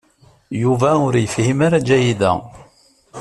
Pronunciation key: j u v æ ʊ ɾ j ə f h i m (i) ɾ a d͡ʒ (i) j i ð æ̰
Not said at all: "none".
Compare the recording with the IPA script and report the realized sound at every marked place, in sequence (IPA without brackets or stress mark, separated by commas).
a, æ